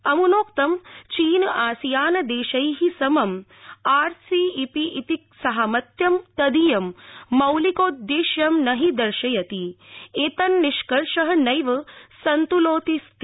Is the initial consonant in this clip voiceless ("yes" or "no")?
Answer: no